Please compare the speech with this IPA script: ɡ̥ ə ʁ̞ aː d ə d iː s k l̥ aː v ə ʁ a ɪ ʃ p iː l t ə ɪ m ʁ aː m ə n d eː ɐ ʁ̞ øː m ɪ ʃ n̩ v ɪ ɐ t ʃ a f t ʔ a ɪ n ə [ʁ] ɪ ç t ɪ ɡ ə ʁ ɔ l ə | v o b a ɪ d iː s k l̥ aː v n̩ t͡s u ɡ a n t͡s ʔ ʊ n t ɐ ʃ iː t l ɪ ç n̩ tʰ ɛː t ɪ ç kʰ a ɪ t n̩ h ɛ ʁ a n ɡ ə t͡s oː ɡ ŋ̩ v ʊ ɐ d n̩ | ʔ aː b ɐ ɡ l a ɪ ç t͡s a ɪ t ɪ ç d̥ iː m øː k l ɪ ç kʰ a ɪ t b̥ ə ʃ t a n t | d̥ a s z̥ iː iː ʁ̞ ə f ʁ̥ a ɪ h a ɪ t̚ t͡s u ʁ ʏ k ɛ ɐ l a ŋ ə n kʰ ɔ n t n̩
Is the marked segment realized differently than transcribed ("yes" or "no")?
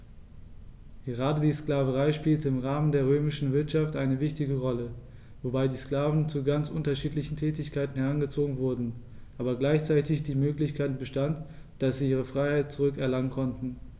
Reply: yes